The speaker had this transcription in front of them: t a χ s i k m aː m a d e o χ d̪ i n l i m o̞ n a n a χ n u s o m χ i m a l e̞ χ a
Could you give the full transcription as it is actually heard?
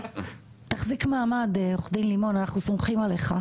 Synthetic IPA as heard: t a χ z i k m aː m a d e o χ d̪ i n l i m o̞ n a n a χ n u s o m χ i m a l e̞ χ a